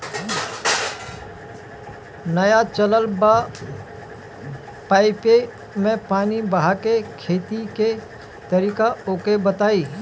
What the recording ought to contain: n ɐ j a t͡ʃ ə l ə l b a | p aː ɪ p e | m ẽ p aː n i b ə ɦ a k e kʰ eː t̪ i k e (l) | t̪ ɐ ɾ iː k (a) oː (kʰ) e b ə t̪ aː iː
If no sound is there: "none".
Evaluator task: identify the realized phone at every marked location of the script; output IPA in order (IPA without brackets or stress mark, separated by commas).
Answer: none, a, k